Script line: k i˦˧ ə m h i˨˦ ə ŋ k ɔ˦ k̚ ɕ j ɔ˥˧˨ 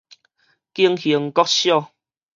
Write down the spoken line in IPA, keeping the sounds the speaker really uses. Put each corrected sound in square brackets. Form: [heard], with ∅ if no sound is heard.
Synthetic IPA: k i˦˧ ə [ŋ] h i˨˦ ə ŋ k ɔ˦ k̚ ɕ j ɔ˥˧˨

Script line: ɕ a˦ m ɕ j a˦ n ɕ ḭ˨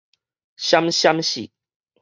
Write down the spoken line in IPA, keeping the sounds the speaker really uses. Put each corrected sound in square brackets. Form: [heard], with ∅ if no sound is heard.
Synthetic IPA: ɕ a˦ m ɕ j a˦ [m] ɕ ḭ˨

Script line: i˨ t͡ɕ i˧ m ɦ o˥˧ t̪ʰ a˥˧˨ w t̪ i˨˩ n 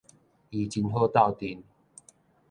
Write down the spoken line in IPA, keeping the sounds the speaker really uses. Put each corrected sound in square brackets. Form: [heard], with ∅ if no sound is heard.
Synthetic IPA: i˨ t͡ɕ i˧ [n] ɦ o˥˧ [t̪] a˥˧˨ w t̪ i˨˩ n

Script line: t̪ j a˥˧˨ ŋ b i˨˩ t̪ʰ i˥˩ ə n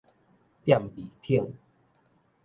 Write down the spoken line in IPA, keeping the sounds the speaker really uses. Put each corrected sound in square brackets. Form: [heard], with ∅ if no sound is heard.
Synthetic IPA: t̪ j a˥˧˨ [m] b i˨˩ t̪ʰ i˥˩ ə [ŋ]

